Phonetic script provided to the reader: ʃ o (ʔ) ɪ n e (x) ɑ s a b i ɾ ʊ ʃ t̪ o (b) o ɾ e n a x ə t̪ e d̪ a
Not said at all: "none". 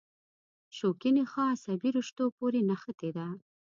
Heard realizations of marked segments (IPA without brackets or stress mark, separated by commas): k, x, p